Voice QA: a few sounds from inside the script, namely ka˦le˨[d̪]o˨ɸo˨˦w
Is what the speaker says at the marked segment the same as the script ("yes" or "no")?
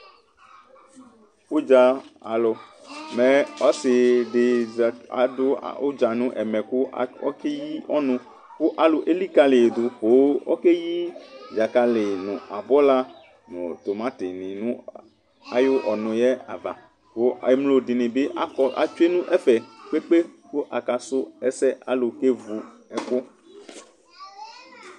yes